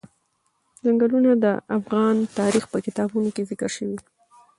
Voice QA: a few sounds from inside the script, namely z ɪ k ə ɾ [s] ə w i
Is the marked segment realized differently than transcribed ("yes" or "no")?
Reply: yes